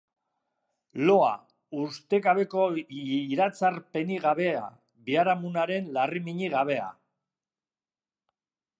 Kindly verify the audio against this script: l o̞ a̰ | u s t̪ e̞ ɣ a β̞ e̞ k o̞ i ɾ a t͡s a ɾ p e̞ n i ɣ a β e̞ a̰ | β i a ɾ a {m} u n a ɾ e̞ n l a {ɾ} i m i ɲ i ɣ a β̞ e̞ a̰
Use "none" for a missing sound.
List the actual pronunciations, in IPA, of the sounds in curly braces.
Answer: m, r

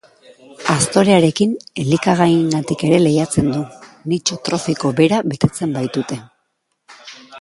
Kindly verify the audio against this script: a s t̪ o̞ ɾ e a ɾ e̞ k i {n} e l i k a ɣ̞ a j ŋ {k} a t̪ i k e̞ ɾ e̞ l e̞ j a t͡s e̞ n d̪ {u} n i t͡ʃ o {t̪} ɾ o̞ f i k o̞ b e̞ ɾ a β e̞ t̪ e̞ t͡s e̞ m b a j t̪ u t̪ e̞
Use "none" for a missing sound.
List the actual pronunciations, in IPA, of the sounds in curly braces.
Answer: n, ɡ, u, t̪

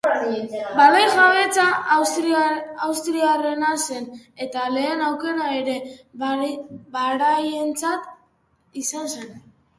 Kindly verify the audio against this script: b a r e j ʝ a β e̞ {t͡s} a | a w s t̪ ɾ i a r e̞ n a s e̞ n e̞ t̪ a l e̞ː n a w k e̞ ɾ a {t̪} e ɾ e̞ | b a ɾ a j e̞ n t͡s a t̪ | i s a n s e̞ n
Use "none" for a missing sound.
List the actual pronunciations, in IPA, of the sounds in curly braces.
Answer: t͡s, none

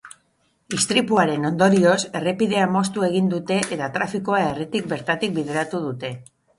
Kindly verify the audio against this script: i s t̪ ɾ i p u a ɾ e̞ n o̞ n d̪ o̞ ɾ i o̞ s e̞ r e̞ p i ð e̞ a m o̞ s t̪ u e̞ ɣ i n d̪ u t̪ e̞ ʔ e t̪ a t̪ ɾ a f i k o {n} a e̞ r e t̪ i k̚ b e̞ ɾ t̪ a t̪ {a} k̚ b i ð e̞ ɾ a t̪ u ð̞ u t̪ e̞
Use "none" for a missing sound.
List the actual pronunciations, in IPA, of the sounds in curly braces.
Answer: none, i

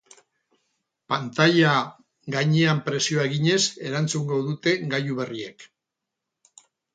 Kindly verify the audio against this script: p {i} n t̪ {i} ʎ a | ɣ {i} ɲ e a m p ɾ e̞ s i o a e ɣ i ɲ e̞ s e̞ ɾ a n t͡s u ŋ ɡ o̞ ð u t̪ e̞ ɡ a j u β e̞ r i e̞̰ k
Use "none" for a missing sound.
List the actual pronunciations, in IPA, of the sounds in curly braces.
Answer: a, a, a

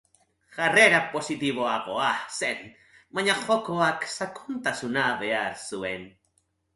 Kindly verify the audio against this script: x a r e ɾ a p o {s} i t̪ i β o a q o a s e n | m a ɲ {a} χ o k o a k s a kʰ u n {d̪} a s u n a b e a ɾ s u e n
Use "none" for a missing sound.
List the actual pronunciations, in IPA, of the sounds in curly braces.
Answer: s, a, t̪

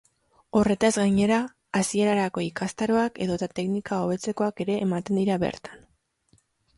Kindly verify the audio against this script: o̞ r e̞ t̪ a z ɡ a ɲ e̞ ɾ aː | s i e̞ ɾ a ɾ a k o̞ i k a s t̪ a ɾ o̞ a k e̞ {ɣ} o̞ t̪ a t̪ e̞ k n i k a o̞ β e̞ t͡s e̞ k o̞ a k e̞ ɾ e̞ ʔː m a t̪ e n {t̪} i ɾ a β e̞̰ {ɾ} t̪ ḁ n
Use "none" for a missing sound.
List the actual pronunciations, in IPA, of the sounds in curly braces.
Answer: ð, d̪, ɾ

